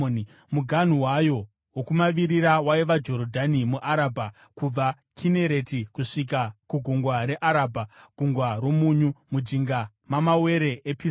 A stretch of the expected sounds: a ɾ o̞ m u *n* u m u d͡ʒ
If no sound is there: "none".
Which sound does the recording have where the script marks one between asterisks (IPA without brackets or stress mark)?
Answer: ɲ